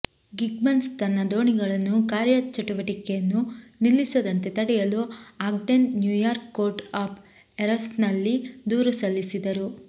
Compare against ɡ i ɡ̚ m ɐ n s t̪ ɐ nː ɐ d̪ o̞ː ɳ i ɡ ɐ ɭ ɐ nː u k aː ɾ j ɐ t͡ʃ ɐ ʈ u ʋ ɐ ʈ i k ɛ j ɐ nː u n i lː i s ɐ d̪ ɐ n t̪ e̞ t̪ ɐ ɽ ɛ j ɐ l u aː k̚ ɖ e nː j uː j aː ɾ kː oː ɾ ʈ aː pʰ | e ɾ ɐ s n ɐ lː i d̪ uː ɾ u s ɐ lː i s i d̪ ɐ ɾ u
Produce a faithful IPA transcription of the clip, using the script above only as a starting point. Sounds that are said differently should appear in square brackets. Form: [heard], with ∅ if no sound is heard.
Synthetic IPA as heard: ɡ i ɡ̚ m ɐ n s t̪ ɐ nː ɐ d̪ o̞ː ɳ i ɡ ɐ ɭ ɐ nː u k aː ɾ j ɐ t͡ʃ ɐ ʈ u ʋ ɐ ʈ i k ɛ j ɐ nː u n i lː i s ɐ d̪ ɐ n t̪ e̞ t̪ ɐ ɽ ɛ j ɐ l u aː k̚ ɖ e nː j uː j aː ɾ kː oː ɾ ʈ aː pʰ | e ɾ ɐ s n ɐ lː i d̪ uː ɾ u s ɐ lː i s i d̪ ɐ ɾ u